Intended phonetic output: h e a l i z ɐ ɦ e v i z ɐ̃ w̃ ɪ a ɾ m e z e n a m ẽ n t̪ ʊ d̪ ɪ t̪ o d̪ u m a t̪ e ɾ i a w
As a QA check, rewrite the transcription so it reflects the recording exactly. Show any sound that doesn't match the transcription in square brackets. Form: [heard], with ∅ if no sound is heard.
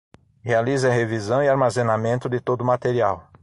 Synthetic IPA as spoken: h e a l i z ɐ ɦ e v i z ɐ̃ w̃ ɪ a ɾ m [a] z e n a m ẽ n t̪ ʊ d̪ ɪ t̪ o d̪ [ʊ] m a t̪ e ɾ i a w